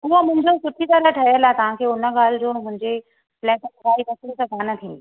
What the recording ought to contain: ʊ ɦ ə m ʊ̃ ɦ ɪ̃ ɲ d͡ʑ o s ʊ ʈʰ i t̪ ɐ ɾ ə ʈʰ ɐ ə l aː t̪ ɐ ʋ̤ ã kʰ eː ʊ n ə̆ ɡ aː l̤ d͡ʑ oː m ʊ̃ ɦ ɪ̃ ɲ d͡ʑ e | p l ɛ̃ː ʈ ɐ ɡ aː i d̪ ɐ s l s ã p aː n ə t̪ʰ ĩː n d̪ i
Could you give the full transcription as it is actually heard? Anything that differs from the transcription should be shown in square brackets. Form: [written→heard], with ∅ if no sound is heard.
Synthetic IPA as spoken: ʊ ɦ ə m ʊ̃ ɦ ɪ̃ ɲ d͡ʑ o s ʊ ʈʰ i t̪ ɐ ɾ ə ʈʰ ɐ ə l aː t̪ ɐ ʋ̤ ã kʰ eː ʊ n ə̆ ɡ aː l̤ d͡ʑ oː m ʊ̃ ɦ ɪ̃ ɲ d͡ʑ e | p l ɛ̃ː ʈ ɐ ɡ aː i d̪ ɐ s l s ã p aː n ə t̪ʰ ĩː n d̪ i